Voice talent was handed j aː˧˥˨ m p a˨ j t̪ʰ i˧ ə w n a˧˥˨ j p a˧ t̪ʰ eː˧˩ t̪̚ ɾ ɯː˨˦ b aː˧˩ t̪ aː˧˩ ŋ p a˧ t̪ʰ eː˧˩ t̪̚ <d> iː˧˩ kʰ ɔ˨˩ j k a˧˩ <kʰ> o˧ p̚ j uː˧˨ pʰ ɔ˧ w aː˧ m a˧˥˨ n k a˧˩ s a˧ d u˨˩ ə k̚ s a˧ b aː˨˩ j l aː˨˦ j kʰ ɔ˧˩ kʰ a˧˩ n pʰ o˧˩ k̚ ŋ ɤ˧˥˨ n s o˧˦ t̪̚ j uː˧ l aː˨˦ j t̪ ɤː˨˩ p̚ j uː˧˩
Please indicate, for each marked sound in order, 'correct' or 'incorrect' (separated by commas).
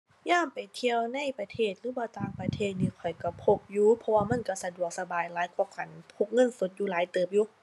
incorrect, incorrect